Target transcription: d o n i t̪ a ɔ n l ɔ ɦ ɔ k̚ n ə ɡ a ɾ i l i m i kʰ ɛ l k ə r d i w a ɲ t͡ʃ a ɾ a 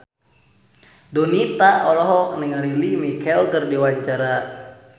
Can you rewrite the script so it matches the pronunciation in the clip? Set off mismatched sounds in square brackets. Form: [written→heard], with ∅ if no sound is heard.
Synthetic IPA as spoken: d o n i t̪ a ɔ [n→∅] l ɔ ɦ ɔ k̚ n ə [ɡ→ŋ] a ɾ i l i m i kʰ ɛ l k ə r d i w a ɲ t͡ʃ a ɾ a